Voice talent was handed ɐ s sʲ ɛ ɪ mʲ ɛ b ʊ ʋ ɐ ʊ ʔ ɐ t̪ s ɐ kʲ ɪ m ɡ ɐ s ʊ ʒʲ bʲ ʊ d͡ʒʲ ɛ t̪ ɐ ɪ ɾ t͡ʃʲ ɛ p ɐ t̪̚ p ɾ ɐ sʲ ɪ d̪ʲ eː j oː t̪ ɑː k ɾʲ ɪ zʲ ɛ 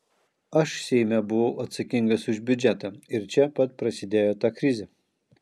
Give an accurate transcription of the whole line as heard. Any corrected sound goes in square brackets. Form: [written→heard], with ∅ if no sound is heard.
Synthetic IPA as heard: ɐ [s→ʃ] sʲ ɛ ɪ mʲ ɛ b ʊ ʋ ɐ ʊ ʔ ɐ t̪ s ɐ kʲ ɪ [m→ŋ] ɡ ɐ s ʊ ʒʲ bʲ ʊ d͡ʒʲ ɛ t̪ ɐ ɪ ɾ t͡ʃʲ ɛ p ɐ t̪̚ p ɾ ɐ sʲ ɪ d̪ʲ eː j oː t̪ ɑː k ɾʲ ɪ zʲ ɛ